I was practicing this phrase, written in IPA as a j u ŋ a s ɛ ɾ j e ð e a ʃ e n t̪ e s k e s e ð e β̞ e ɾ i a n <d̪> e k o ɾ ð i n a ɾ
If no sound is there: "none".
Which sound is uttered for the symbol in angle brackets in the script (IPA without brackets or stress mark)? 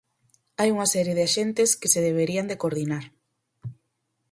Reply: d̪